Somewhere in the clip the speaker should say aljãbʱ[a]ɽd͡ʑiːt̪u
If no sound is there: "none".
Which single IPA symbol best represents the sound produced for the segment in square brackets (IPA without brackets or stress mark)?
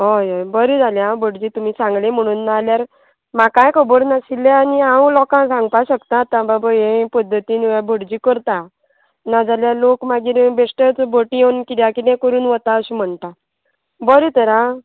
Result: ə